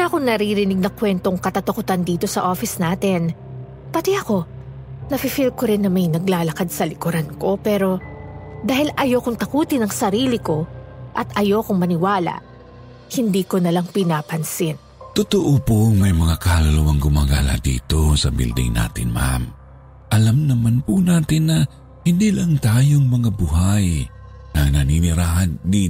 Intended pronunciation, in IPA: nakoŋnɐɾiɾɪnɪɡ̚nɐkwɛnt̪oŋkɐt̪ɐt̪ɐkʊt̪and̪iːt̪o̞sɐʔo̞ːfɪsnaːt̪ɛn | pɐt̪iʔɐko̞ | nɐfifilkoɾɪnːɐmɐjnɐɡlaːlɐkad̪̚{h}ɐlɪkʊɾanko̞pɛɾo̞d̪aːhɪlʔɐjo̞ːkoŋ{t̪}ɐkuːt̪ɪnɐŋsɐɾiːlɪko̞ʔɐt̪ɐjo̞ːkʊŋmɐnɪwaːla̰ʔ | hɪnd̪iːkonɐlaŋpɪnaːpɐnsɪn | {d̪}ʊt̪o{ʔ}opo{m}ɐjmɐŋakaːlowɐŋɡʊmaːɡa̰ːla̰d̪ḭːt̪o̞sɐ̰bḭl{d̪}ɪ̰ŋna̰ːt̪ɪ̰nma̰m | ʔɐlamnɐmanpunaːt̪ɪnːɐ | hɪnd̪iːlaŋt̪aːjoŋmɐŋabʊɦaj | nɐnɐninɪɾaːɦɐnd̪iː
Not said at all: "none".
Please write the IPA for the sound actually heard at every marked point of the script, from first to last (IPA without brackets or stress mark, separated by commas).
s, t̪, t̪, ʔ, m, d̪